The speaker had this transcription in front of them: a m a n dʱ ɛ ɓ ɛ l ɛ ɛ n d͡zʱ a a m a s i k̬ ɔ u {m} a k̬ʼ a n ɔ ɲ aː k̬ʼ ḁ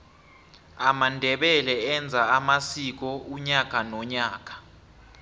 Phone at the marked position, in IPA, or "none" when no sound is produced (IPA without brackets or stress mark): ɲ